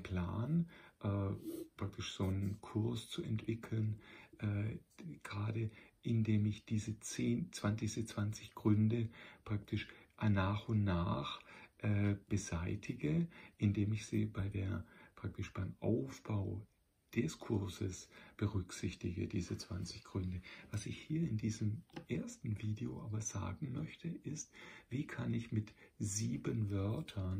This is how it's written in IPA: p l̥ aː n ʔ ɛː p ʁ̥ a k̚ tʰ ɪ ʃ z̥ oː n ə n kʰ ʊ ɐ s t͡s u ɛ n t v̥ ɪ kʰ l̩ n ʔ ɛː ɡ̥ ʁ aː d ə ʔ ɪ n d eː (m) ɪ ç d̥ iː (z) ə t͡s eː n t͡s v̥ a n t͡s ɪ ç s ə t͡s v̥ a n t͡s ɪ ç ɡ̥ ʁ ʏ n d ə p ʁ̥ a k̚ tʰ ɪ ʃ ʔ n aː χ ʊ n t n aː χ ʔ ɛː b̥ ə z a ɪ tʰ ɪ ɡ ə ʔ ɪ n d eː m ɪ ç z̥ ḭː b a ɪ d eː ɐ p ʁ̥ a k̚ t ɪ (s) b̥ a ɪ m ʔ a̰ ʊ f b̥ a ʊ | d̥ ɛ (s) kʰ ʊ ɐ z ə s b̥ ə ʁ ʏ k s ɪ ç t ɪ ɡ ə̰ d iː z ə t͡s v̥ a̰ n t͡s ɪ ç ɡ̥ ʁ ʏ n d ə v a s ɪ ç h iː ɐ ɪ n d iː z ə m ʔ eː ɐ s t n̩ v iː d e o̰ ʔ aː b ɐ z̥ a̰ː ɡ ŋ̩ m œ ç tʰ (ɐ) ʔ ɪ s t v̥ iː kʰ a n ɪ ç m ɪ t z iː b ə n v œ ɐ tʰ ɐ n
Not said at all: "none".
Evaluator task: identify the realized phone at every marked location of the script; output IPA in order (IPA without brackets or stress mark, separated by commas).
m, z, ʃ, s, ə